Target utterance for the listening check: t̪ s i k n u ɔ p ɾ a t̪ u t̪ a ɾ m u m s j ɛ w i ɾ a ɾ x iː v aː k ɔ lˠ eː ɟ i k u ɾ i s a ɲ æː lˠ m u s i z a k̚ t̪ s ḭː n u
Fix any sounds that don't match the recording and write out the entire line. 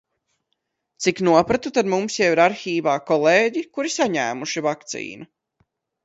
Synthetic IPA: t̪ s i k n u ɔ p ɾ a t̪ u t̪ a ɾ m u m s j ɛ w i ɾ a ɾ x iː v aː k ɔ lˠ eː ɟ i k u ɾ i s a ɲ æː m u ʃ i v a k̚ t̪ s ḭː n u